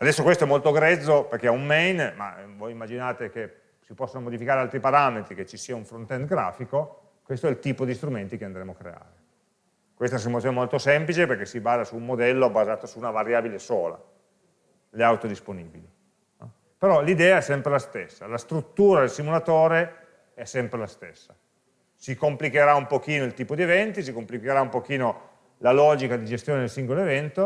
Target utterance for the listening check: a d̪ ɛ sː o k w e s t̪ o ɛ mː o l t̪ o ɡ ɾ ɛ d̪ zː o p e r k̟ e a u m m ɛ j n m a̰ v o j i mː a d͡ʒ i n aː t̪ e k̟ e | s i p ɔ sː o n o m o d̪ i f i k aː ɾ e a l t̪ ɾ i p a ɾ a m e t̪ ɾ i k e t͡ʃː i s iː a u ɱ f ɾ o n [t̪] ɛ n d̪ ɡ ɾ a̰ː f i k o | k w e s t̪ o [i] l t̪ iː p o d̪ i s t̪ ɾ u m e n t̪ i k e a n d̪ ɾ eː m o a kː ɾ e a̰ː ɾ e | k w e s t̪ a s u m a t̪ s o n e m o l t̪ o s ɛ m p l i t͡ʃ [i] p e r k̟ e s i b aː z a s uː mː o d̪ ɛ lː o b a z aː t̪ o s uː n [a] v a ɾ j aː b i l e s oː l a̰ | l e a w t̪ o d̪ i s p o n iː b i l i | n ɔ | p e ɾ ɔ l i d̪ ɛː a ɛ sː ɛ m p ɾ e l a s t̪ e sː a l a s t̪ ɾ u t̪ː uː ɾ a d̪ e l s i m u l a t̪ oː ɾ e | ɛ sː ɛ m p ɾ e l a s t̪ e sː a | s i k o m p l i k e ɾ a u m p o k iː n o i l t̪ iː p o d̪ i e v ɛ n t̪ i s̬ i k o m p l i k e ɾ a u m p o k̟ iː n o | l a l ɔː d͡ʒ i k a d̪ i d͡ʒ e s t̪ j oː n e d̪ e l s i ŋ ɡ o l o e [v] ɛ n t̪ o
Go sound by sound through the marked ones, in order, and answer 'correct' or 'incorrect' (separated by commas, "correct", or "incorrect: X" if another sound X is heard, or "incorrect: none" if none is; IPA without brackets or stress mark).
correct, incorrect: ɛ, incorrect: e, correct, correct